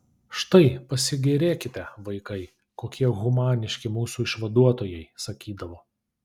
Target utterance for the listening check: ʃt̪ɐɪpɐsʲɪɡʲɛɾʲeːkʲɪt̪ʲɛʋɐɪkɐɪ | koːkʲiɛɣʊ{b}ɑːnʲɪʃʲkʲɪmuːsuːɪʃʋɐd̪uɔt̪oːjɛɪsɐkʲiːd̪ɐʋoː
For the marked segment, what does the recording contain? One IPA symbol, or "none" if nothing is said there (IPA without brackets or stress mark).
m